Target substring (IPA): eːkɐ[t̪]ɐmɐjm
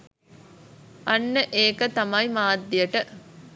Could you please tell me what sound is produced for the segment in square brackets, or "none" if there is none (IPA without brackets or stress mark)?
t̪